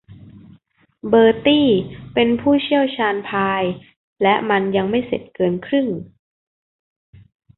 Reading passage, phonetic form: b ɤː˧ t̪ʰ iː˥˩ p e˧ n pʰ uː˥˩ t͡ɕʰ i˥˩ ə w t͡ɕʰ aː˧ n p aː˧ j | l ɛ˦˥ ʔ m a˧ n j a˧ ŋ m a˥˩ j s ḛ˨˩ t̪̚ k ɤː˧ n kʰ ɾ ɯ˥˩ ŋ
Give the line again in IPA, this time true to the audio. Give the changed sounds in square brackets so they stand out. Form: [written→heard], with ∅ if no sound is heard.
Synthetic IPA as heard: b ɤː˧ [t̪ʰ→t̪] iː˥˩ p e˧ n pʰ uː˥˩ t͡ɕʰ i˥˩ ə w t͡ɕʰ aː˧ n [p→pʰ] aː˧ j | l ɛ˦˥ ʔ m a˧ n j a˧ ŋ m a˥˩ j s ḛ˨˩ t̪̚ k ɤː˧ n kʰ ɾ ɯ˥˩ ŋ